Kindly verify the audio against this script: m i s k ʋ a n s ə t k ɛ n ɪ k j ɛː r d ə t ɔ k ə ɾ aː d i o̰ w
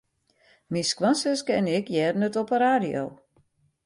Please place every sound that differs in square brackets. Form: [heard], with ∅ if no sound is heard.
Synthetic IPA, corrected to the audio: m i s k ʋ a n s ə [s] k ɛ n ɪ k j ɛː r [n] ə t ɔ [p] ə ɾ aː d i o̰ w